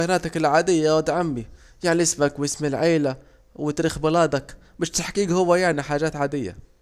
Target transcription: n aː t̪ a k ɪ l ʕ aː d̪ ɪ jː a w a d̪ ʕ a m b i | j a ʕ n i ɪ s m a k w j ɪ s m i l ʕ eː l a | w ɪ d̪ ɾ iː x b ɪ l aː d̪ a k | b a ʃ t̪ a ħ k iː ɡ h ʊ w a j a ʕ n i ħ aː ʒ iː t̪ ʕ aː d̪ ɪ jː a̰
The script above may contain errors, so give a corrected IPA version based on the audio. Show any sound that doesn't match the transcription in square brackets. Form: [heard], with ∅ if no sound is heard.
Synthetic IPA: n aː t̪ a k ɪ l ʕ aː d̪ ɪ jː a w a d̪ ʕ a m b i | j a ʕ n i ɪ s m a k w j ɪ s m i l ʕ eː l a | w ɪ [t̪] ɾ iː x b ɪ l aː d̪ a k | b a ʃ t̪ a ħ k iː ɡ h ʊ [wː] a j a ʕ n i ħ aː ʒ [aː] t̪ ʕ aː d̪ ɪ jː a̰

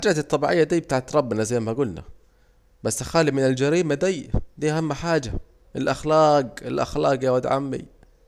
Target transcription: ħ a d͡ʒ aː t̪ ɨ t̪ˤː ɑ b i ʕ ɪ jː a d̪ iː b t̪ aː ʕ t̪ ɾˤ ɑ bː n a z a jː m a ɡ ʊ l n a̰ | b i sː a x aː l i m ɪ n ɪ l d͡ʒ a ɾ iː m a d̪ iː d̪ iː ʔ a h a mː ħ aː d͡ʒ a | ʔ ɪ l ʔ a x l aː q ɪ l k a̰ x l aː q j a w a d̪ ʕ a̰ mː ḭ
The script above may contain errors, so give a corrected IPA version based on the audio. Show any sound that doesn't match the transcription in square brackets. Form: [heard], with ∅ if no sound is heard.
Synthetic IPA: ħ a d͡ʒ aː t̪ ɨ t̪ˤː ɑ b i ʕ ɪ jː a d̪ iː b t̪ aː ʕ t̪ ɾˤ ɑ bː n a z a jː m a ɡ ʊ l n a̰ | b [a] sː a x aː l i m ɪ n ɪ l d͡ʒ a ɾ iː m a d̪ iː d̪ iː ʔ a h a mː ħ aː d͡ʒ a | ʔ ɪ l ʔ a x l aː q ɪ l [ʔ] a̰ x l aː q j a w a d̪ ʕ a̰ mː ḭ

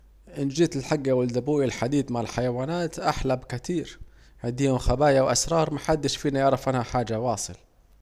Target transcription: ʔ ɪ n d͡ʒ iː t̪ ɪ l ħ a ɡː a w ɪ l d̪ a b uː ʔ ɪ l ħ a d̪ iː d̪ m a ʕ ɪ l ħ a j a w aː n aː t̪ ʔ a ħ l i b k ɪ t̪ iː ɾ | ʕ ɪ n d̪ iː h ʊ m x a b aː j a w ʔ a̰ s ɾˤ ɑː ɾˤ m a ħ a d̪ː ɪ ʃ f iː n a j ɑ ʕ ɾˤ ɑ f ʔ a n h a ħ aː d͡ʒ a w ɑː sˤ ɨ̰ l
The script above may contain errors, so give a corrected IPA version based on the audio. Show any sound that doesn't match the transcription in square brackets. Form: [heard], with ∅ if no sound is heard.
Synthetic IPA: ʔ ɪ n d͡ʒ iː t̪ ɪ l ħ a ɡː a w ɪ l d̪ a b uː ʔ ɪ l ħ a d̪ iː d̪ m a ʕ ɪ l ħ a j a w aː n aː t̪ ʔ a ħ l [a] b k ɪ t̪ iː ɾ | ʕ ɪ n d̪ iː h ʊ m x a b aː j a w ʔ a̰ s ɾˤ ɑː ɾˤ m a ħ a d̪ː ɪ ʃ f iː n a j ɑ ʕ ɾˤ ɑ f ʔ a n h a ħ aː d͡ʒ a w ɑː sˤ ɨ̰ l

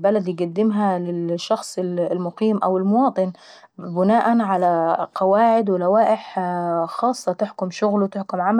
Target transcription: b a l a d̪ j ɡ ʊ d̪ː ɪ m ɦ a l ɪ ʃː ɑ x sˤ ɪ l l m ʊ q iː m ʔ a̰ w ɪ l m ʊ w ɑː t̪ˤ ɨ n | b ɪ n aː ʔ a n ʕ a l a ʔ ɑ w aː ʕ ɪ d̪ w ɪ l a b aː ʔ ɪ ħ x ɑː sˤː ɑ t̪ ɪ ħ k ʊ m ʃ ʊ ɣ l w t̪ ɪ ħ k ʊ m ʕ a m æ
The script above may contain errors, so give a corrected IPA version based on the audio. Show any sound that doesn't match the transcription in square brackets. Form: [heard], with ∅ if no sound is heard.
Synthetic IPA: b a l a d̪ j ɡ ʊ d̪ː ɪ m ɦ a l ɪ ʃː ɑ x sˤ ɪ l l m ʊ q iː m ʔ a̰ w ɪ l m ʊ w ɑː t̪ˤ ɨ n | b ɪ n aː ʔ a n ʕ a l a [q] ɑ w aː ʕ ɪ d̪ w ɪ l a [w] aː ʔ ɪ ħ x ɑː sˤː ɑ t̪ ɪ ħ k ʊ m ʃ ʊ ɣ l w t̪ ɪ ħ k ʊ m ʕ a m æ

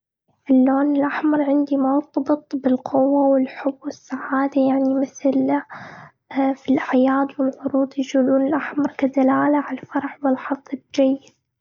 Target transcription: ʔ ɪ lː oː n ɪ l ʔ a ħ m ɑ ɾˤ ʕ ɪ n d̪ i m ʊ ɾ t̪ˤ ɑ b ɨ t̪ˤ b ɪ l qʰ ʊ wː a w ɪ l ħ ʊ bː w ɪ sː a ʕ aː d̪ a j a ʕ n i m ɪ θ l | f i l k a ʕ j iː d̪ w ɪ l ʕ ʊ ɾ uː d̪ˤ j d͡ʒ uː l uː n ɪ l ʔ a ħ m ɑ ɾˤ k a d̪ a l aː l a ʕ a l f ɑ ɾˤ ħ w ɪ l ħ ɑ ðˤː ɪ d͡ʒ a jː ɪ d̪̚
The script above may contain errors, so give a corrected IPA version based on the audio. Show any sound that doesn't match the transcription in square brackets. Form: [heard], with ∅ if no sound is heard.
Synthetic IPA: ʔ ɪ lː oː n ɪ l ʔ a ħ m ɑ ɾˤ ʕ ɪ n d̪ i m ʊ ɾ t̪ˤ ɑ b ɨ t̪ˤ b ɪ l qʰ ʊ wː a w ɪ l ħ ʊ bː w ɪ sː a ʕ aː d̪ a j a ʕ n i m ɪ θ l | f i l [ʔ] a ʕ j [aː] d̪ w ɪ l ʕ ʊ ɾ uː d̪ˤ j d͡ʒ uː l uː n ɪ l ʔ a ħ m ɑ ɾˤ k a d̪ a l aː l a ʕ a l f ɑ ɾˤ ħ w ɪ l ħ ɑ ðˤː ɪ d͡ʒ a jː ɪ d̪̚

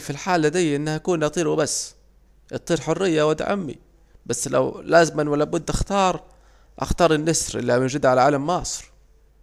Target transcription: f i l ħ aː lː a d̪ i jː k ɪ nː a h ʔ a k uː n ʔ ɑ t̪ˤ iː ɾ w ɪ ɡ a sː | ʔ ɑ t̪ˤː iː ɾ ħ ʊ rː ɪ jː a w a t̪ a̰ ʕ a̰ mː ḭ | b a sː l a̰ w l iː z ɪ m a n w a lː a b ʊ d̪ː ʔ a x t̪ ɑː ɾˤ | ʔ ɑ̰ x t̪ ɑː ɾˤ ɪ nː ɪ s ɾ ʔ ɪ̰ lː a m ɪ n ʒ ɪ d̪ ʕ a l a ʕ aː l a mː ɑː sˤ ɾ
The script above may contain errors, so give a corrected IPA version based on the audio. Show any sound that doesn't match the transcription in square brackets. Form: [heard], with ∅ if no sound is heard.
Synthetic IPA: f i l ħ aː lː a d̪ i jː [ʔ] ɪ nː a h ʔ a k uː n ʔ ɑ t̪ˤ iː ɾ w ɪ [b] a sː | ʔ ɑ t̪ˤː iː ɾ ħ ʊ rː ɪ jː a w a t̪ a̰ ʕ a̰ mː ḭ | b a sː l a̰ w l [aː] z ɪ m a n w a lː a b ʊ d̪ː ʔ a x t̪ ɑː ɾˤ | ʔ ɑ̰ x t̪ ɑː ɾˤ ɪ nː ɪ s ɾ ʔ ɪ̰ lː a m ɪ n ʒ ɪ d̪ ʕ a l a ʕ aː l a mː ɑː sˤ ɾ

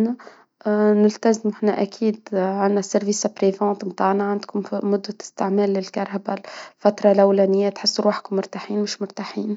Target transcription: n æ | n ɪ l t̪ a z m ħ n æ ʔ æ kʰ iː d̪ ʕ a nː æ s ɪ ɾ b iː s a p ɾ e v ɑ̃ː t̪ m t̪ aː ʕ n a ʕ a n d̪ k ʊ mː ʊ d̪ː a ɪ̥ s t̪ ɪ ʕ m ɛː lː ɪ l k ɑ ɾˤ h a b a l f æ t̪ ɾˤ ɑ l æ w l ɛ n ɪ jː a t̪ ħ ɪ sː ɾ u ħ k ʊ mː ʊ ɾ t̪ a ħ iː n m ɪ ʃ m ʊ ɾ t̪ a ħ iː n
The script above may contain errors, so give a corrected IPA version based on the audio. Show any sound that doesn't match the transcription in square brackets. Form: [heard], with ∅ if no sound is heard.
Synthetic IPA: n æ | n ɪ l t̪ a z m ħ n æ ʔ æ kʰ iː d̪ ʕ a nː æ s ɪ ɾ [v] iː s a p ɾ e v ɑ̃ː t̪ m t̪ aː ʕ n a ʕ a n d̪ k ʊ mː ʊ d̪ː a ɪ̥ s t̪ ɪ ʕ m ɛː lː ɪ l k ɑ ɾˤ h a b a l f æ t̪ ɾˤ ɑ l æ w l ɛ n ɪ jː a t̪ ħ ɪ sː ɾ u ħ k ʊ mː ʊ ɾ t̪ a ħ iː n m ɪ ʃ m ʊ ɾ t̪ a ħ iː n

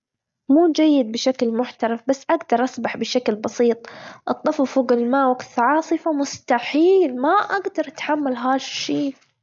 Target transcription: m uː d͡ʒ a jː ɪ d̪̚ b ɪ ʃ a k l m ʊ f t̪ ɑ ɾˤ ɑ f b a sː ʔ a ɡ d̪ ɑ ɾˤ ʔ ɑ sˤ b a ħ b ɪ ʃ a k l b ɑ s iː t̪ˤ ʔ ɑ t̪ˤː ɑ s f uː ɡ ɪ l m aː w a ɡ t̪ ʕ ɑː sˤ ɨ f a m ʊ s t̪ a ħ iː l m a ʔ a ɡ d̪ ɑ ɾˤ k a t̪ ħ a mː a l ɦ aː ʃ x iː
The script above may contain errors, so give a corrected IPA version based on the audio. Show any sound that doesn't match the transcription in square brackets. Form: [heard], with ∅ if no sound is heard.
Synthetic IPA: m uː d͡ʒ a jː ɪ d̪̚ b ɪ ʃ a k l m ʊ [ħ] t̪ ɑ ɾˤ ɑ f b a sː ʔ a ɡ d̪ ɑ ɾˤ ʔ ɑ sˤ b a ħ b ɪ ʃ a k l b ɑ s iː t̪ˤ ʔ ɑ t̪ˤː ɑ [f] f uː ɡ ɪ l m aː w a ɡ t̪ ʕ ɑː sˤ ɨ f a m ʊ s t̪ a ħ iː l m a ʔ a ɡ d̪ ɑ ɾˤ [ʔ] a t̪ ħ a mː a l ɦ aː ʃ [ʃ] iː

